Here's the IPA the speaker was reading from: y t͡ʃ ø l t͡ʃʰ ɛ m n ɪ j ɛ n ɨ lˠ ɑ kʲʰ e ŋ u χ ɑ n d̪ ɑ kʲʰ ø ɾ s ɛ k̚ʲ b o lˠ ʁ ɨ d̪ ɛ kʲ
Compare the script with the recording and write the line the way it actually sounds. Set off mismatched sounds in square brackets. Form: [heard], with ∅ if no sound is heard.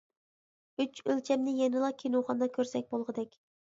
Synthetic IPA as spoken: y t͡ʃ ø l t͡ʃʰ ɛ m n ɪ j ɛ n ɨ lˠ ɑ kʲʰ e [n] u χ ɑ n d̪ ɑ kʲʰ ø ɾ s ɛ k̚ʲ b o lˠ ʁ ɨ d̪ ɛ kʲ